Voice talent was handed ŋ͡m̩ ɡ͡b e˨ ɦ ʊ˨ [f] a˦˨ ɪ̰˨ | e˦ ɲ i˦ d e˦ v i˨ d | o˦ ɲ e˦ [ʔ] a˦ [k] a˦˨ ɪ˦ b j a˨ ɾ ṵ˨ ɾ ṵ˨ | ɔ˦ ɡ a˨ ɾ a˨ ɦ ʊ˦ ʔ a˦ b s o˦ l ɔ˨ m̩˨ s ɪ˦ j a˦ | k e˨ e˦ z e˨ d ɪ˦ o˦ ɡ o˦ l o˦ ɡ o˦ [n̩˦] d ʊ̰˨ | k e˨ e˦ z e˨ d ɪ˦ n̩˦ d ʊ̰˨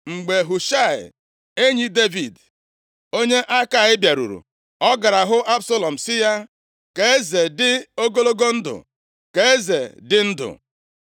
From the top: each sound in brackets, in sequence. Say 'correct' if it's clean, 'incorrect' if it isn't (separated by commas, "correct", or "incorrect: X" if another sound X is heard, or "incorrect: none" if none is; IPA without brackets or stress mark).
incorrect: ʃ, correct, correct, correct